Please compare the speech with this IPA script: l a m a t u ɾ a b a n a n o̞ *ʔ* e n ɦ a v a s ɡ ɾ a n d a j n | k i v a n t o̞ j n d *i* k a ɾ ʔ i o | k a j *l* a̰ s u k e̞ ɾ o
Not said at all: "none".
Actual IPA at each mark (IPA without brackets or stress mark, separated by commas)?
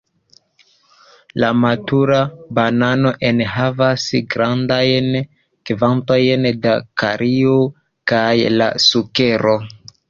ʔ, a, l